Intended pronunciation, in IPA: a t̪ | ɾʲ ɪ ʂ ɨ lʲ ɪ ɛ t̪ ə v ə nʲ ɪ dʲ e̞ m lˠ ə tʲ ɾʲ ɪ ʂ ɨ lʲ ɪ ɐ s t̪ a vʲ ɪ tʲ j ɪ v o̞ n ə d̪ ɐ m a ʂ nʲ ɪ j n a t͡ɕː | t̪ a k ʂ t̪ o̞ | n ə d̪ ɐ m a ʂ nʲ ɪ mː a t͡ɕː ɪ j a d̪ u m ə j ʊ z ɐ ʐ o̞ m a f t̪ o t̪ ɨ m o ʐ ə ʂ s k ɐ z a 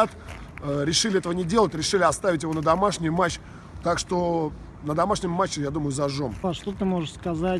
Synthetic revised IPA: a t̪ | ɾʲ ɪ ʂ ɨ lʲ ɪ ɛ t̪ ə v ə nʲ ɪ dʲ e̞ lˠ ə tʲ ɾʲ ɪ ʂ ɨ lʲ ɪ ɐ s t̪ a vʲ ɪ tʲ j ɪ v o̞ n ə d̪ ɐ m a ʂ nʲ ɪ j m a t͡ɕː | t̪ a k ʂ t̪ o̞ | n ə d̪ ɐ m a ʂ nʲ ɪ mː a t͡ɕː ɪ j a d̪ u m ə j ʊ z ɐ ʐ o̞ m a ʂ t̪ o t̪ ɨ m o ʐ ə ʂ s k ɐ z a

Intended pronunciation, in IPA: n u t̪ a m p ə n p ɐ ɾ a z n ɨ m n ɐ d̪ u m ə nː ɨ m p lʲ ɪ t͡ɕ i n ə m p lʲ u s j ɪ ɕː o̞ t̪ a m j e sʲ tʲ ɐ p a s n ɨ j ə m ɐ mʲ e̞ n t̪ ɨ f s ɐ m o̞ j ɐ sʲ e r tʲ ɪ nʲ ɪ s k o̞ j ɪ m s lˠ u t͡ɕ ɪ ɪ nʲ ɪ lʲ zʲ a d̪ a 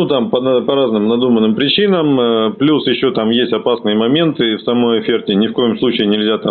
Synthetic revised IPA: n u t̪ a m p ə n p ɐ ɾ a z n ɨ m n ɐ d̪ u m ə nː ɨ m p ɾʲ ɪ t͡ɕ i n ə m p lʲ u s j ɪ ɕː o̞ t̪ a m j e sʲ tʲ ɐ p a s n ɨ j ə m ɐ mʲ e̞ n t̪ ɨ f s ɐ m o̞ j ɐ fʲ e r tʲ ɪ nʲ ɪ f k o̞ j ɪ m s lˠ u t͡ɕ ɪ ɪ nʲ ɪ lʲ zʲ a t̪ a

